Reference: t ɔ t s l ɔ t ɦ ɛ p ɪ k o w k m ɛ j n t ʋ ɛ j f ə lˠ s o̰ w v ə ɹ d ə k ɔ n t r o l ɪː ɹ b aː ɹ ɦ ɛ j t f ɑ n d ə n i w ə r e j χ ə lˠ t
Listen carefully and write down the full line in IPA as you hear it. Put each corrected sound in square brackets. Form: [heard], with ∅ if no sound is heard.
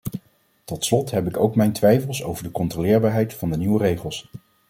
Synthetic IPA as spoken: t ɔ t s l ɔ t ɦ ɛ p ɪ k o w k m ɛ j n t ʋ ɛ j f ə lˠ s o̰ w v ə ɹ d ə k ɔ n t r o l ɪː ɹ b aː ɹ ɦ ɛ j t f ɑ n d ə n i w ə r e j χ ə lˠ [s]